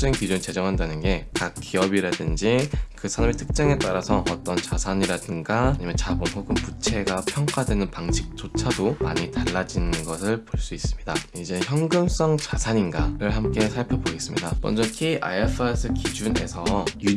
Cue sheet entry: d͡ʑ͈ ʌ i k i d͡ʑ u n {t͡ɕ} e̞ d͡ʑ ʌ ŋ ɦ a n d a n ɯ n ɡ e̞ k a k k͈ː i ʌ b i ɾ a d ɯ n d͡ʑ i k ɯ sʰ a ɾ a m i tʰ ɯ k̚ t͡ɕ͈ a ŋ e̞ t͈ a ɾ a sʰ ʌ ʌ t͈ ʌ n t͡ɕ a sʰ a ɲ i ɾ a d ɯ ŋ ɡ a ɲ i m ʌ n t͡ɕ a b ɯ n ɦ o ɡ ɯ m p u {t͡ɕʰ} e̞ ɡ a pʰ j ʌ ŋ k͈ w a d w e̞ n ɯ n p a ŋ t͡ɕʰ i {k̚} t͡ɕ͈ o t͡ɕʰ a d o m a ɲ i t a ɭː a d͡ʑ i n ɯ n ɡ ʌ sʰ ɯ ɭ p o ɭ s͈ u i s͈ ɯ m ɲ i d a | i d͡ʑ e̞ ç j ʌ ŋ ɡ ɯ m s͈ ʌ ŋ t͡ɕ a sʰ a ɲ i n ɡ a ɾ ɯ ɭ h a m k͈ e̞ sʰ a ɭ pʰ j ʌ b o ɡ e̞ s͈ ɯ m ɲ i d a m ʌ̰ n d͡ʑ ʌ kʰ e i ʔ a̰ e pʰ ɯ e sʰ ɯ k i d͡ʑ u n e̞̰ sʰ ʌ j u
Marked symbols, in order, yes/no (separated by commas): yes, yes, yes